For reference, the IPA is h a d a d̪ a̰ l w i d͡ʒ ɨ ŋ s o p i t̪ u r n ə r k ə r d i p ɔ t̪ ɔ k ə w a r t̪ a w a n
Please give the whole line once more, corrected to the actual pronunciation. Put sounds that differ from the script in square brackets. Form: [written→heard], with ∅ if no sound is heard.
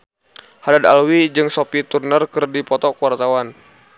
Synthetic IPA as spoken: h a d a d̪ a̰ l w i d͡ʒ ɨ ŋ s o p i t̪ u r n ə r k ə r d i p ɔ t̪ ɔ k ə w a r t̪ a w a n